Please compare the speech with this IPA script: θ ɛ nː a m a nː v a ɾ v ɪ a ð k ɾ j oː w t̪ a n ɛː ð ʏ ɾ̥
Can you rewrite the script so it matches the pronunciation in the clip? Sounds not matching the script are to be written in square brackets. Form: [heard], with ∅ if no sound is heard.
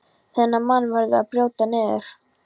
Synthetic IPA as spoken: θ ɛ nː a m a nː v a ɾ [ð] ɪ a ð [p] ɾ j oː w t̪ a n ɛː ð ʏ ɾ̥